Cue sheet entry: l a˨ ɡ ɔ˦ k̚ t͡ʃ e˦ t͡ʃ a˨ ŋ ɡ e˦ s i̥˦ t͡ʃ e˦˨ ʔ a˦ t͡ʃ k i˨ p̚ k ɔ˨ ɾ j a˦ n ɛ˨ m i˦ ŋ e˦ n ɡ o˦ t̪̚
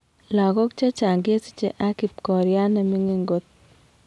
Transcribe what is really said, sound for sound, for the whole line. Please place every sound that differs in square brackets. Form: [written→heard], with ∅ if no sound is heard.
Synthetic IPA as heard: l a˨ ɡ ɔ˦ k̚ t͡ʃ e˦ t͡ʃ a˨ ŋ ɡ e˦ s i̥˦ t͡ʃ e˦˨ ʔ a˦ [t͡ʃ→∅] k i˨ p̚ k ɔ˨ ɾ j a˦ n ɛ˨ m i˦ ŋ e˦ [n→ŋ] ɡ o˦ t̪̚